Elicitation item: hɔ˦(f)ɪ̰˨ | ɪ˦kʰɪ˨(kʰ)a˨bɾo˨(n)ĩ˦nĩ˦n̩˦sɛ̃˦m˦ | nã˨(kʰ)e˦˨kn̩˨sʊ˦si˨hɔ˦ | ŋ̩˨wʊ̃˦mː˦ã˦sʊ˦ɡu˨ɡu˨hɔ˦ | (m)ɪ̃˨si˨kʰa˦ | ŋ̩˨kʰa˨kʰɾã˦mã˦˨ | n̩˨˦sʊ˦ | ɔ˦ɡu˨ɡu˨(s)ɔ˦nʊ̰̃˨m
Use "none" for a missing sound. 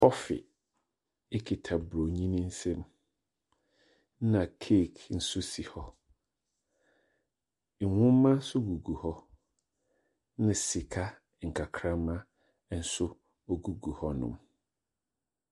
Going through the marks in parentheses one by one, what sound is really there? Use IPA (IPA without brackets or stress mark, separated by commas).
f, tʰ, ɲ, kʰ, n, h